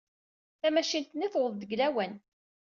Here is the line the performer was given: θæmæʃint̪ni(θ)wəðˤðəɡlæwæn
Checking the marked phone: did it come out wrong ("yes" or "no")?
no